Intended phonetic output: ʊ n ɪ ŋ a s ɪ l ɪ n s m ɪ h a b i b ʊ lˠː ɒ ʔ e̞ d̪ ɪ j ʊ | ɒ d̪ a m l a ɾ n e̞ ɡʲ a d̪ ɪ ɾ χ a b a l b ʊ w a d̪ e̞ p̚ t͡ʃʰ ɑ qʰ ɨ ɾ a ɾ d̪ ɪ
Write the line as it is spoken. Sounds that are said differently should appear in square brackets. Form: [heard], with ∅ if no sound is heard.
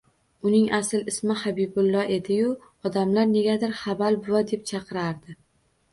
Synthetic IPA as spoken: ʊ n ɪ ŋ a s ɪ l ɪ [∅] s m ɪ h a b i b ʊ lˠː ɒ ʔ e̞ d̪ ɪ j ʊ | ɒ d̪ a m l a ɾ n e̞ ɡʲ a d̪ ɪ ɾ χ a b a l b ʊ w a d̪ e̞ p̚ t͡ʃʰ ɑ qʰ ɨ ɾ a ɾ d̪ ɪ